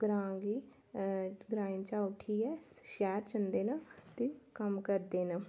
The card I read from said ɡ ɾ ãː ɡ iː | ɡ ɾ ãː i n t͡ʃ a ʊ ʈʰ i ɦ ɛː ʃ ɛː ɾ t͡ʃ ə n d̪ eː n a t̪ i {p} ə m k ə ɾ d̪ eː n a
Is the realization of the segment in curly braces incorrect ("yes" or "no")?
yes